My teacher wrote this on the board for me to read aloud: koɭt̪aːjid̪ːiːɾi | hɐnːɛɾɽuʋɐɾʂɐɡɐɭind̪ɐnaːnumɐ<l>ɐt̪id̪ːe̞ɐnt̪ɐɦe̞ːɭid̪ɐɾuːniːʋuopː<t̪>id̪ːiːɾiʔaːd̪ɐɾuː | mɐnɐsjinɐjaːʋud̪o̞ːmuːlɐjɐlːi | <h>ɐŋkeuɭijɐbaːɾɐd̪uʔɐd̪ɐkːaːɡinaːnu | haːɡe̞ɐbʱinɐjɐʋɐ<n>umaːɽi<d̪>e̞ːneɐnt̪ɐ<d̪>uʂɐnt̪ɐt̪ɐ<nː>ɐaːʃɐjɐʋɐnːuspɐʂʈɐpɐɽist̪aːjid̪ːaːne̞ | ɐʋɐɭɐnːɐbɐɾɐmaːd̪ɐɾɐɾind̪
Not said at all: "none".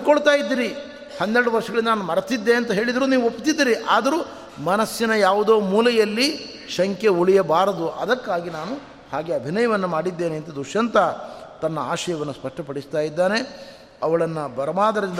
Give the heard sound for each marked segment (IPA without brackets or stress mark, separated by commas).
ɾ, t̪, ʃ, nː, d̪ː, d̪, nː